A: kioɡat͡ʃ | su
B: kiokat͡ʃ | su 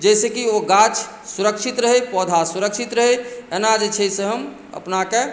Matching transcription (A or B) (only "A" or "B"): A